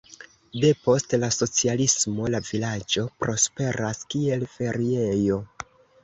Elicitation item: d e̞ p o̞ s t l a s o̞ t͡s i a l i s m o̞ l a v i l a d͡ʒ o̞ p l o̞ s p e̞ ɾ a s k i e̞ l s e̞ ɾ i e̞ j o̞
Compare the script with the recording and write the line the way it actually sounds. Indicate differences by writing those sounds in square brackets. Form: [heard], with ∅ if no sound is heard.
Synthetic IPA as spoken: d e̞ p o̞ s t l a s o̞ t͡s i a l i s m o̞ l a v i l a d͡ʒ o̞ p [ɾ] o̞ s p e̞ ɾ a s k i e̞ l [f] e̞ ɾ i e̞ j o̞